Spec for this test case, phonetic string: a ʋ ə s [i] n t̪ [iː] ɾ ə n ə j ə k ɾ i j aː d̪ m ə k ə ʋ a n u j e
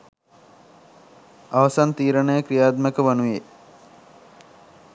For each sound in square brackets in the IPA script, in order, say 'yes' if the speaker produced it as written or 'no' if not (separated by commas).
no, yes